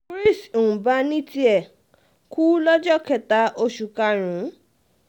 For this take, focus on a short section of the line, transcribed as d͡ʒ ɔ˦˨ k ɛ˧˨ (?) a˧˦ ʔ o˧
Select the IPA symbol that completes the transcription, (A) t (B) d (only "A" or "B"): A